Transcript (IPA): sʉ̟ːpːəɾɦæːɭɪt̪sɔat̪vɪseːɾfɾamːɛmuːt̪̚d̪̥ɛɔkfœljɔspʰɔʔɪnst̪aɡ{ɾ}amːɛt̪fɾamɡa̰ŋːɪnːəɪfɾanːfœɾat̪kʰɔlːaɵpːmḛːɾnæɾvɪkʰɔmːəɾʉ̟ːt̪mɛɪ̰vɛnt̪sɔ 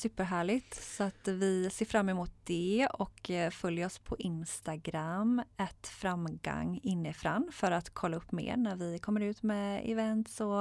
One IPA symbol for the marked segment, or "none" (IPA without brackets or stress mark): ɾ